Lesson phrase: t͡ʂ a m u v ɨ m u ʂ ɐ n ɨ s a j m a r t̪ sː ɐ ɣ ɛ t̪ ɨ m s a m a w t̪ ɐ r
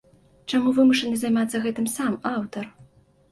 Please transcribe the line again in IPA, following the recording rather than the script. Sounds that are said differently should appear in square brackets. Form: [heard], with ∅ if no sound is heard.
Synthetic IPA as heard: t͡ʂ a m u v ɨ m u ʂ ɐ n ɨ [z] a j m a [∅] t̪ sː ɐ ɣ ɛ t̪ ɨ m s a m a w t̪ ɐ r

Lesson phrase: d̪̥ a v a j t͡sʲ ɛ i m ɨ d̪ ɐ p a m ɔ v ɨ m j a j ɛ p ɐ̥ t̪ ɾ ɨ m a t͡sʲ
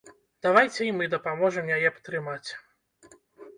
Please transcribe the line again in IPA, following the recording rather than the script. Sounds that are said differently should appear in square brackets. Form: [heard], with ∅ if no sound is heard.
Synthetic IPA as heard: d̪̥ a v a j t͡sʲ ɛ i m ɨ d̪ ɐ p a m ɔ [ʐ] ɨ m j a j ɛ p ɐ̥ t̪ ɾ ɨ m a t͡sʲ

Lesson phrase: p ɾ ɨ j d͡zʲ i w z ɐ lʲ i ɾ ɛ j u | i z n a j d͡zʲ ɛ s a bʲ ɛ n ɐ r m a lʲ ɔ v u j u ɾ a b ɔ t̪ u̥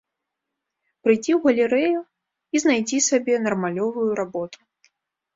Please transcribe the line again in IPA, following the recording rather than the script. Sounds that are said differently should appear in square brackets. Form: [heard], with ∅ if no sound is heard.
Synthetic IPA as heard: p ɾ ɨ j d͡zʲ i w [ɣ] ɐ lʲ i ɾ ɛ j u | i z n a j d͡zʲ [i] s a bʲ ɛ n ɐ r m a lʲ ɔ v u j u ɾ a b ɔ t̪ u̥

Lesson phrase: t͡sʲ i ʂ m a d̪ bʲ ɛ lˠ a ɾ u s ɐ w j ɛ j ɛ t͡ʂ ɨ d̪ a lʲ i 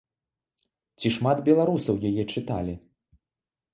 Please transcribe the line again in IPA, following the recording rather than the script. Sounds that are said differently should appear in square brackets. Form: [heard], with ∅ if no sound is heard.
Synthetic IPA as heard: t͡sʲ i ʂ m a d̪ bʲ ɛ lˠ a ɾ u s ɐ w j [a] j ɛ t͡ʂ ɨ [t̪] a lʲ i

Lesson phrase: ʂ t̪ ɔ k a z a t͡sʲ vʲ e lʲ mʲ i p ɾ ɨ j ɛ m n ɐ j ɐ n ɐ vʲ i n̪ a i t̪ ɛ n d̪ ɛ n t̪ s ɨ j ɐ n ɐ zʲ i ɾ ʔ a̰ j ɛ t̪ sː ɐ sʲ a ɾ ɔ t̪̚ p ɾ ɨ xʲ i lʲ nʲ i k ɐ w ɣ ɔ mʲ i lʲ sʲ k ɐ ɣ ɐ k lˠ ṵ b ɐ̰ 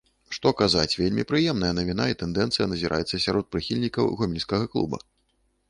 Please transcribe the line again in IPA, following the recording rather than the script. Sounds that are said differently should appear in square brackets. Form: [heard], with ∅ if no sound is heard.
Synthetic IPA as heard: ʂ t̪ ɔ k a z a t͡sʲ vʲ e lʲ mʲ i p ɾ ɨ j ɛ m n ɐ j ɐ n ɐ vʲ i n̪ a i t̪ ɛ n d̪ ɛ n t̪ s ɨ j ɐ n ɐ zʲ i ɾ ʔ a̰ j ɛ t̪ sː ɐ sʲ a ɾ ɔ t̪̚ p ɾ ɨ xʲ i lʲ nʲ i k ɐ w ɣ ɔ mʲ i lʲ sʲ k ɐ ɣ ɐ k lˠ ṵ b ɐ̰

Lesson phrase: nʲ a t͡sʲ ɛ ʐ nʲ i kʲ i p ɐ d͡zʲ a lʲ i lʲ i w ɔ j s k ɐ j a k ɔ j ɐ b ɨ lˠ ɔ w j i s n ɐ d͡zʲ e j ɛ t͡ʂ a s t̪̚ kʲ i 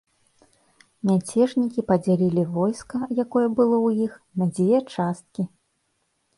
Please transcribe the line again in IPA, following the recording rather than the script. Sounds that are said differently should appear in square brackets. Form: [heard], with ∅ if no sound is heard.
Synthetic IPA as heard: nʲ a t͡sʲ ɛ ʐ nʲ i kʲ i p ɐ d͡zʲ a lʲ i lʲ i [v] ɔ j s k ɐ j a k ɔ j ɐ b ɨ lˠ ɔ w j i [x] n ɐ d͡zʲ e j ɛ t͡ʂ a s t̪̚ kʲ i

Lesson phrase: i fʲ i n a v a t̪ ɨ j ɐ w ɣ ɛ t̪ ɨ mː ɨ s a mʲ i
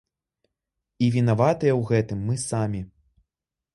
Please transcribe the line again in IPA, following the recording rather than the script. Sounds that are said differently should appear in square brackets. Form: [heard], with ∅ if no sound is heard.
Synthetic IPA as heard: i [vʲ] i n a v a t̪ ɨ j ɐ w ɣ ɛ t̪ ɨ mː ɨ s a mʲ i

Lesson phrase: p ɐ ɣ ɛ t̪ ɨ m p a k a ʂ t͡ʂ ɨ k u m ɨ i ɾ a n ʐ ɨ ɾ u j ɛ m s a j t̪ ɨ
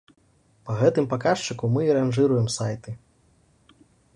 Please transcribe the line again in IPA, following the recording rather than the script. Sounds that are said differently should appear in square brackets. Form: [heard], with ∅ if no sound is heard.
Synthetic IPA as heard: p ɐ ɣ ɛ t̪ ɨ m p a k a ʂ t͡ʂ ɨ k u m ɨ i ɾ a n ʐ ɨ ɾ u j ɛ m s a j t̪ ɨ

